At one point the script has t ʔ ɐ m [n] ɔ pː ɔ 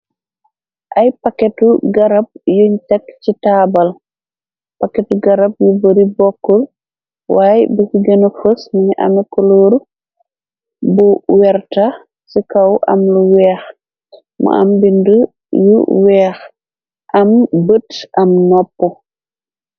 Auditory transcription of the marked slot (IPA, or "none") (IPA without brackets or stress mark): n